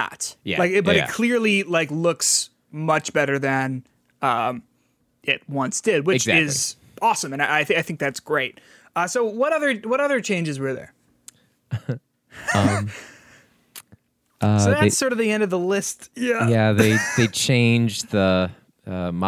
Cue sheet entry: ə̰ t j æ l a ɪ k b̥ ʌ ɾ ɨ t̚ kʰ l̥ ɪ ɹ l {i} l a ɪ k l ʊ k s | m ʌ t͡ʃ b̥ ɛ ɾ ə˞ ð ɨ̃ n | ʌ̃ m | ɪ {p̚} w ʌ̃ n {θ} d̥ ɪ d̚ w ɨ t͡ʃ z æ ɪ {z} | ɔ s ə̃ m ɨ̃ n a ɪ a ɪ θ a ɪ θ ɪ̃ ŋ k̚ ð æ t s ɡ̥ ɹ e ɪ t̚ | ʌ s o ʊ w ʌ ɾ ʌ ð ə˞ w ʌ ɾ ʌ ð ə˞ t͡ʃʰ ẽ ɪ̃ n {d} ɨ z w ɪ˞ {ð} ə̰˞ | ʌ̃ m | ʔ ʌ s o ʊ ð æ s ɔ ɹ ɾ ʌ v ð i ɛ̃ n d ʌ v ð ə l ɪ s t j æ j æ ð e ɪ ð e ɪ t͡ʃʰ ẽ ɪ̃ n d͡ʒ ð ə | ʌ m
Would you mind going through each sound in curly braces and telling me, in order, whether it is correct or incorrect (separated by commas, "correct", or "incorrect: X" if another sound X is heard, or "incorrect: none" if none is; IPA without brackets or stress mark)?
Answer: correct, incorrect: t̚, incorrect: s, correct, incorrect: d͡ʒ, correct